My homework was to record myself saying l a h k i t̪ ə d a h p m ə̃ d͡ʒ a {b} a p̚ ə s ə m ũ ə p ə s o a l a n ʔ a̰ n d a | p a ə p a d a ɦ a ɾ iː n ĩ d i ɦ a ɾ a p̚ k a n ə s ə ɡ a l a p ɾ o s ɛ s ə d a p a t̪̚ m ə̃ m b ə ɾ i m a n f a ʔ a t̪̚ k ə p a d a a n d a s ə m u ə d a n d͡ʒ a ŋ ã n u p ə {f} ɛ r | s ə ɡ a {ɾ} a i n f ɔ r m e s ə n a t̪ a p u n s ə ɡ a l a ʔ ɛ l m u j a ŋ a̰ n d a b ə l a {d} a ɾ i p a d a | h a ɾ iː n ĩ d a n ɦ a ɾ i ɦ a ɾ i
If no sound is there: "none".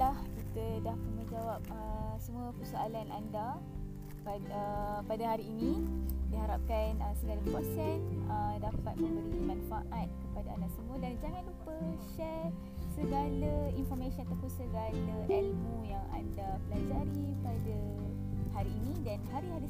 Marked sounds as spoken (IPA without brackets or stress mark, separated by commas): w, ʃ, l, d͡ʒ